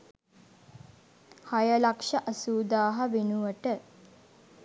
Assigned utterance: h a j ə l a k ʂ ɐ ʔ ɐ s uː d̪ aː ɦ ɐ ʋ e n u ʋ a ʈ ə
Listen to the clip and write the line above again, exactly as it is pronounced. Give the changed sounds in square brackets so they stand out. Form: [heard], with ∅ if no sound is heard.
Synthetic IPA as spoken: h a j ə l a k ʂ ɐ ʔ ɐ s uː d̪ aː ɦ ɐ ʋ e n u ʋ [ə] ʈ ə